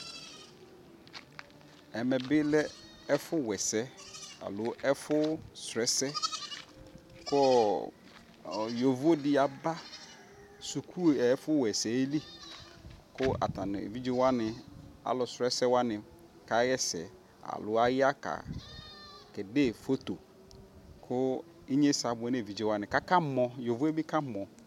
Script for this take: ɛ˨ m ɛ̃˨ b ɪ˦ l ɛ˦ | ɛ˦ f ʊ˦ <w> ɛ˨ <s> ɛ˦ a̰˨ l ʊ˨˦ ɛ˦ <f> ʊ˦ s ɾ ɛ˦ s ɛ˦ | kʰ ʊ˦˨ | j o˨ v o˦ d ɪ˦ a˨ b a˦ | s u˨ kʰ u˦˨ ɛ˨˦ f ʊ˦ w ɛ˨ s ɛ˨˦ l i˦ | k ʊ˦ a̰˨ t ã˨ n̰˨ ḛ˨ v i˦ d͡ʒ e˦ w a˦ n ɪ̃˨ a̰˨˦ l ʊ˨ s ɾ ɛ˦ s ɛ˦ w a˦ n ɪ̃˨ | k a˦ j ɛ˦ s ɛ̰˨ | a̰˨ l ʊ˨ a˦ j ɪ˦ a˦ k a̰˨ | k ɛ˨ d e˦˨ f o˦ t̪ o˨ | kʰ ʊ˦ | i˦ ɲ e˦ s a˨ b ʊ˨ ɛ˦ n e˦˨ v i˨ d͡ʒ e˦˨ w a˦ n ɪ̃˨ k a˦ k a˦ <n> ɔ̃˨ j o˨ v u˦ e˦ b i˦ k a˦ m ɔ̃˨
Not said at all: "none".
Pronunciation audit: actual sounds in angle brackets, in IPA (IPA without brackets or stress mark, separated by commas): w, s, f, m